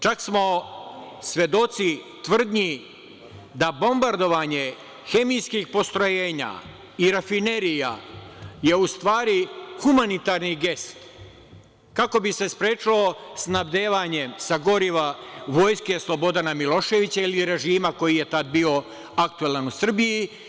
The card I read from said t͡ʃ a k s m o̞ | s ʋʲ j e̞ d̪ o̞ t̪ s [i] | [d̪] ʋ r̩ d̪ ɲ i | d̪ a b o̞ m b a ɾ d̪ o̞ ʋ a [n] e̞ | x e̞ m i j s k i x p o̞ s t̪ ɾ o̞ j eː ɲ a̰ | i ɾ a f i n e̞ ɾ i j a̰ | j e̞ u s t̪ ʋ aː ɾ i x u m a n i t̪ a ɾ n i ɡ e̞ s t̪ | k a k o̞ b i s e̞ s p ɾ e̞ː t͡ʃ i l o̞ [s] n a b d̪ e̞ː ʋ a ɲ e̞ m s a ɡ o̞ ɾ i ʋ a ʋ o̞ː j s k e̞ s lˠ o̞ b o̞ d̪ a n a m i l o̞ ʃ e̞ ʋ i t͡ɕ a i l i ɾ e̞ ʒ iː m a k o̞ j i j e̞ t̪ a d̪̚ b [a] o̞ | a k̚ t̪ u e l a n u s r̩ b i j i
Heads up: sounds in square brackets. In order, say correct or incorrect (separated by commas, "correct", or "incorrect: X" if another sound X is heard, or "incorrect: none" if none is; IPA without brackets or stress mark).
correct, incorrect: t̪, incorrect: ɲ, correct, incorrect: i